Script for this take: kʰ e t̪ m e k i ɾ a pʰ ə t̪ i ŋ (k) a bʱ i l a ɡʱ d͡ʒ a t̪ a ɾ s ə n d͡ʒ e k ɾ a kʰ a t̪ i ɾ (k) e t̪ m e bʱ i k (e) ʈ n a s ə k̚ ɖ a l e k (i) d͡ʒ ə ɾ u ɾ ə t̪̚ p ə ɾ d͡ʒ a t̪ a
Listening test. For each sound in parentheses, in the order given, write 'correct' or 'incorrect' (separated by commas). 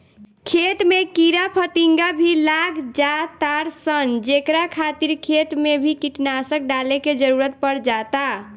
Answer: incorrect, incorrect, incorrect, incorrect